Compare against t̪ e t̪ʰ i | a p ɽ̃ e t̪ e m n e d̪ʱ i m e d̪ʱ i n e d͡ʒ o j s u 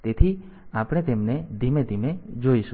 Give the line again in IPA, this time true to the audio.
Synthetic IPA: t̪ e t̪ʰ i | a p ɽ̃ e t̪ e m n e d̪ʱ i m e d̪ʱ i m e d͡ʒ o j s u